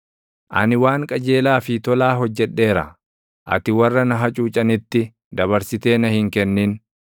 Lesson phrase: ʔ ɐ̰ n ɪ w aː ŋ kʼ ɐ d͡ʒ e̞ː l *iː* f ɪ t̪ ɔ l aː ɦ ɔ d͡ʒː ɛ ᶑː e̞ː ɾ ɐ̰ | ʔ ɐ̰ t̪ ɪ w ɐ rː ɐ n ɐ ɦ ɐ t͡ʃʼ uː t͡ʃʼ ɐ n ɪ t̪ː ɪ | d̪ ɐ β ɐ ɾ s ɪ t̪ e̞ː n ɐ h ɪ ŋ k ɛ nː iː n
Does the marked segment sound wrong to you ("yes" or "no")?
yes